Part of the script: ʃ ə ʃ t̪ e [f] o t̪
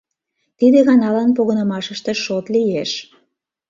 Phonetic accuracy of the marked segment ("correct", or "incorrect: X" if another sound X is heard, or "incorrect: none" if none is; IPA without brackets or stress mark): incorrect: ʃ